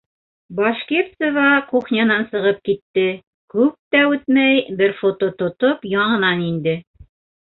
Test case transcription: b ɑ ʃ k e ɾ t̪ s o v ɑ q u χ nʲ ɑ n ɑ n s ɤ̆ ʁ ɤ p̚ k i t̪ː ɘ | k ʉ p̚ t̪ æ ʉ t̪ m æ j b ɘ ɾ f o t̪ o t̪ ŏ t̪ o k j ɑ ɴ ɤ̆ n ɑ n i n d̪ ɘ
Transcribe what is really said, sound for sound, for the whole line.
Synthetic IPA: b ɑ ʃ k e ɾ t̪ s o v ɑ q u χ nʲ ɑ n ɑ n s ɤ̆ ʁ ɤ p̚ k i t̪ː ɘ | k ʉ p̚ t̪ æ ʉ t̪ m æ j b ɘ ɾ f o t̪ o t̪ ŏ t̪ o p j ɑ ɴ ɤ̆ n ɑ n i n d̪ ɘ